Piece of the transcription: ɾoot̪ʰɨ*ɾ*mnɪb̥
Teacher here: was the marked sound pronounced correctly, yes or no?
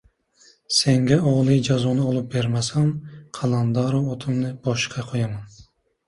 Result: no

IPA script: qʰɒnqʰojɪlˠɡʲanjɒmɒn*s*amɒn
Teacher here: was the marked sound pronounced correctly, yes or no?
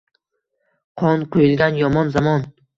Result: no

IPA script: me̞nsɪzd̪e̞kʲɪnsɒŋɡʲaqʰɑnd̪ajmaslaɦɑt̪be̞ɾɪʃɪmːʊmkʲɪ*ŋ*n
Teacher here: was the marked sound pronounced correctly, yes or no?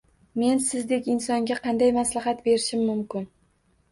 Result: no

